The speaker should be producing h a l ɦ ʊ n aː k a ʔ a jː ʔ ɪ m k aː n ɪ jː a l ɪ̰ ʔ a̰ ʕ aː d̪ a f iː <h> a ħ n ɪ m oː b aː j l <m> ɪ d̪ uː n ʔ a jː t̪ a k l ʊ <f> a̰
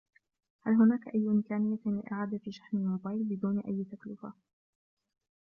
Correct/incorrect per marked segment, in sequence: incorrect: ʃ, incorrect: b, correct

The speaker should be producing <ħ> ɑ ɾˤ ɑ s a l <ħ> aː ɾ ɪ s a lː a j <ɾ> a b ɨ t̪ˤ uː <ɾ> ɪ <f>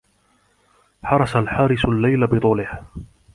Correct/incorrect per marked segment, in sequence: correct, correct, incorrect: l, incorrect: l, incorrect: h

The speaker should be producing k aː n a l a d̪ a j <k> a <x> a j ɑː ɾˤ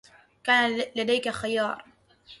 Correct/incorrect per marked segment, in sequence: correct, correct

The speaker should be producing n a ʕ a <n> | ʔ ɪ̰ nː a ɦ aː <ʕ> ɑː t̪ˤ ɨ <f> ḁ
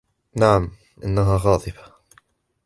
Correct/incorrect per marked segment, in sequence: incorrect: m, incorrect: ɣ, correct

